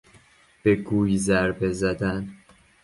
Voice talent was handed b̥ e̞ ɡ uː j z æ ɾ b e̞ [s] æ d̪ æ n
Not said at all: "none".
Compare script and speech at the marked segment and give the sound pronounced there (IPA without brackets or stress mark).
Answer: z